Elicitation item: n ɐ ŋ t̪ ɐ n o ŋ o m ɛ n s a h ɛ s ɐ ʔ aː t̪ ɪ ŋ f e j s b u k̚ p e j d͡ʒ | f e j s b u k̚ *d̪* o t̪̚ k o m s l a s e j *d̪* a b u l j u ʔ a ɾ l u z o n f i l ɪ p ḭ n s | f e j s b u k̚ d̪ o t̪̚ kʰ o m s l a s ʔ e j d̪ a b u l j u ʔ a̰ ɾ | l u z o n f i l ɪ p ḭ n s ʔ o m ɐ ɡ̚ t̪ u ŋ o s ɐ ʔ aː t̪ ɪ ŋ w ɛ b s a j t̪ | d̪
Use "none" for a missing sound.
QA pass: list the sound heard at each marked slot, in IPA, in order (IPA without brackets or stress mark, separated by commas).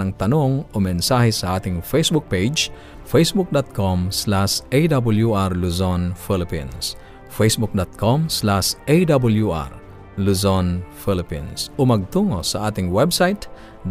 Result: d̪, d̪